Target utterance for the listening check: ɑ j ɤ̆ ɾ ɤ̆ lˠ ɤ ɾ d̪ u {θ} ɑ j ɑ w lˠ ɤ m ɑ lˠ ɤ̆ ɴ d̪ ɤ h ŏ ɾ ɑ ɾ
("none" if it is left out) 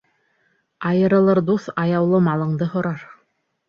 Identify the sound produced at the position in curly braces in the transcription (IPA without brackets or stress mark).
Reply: θ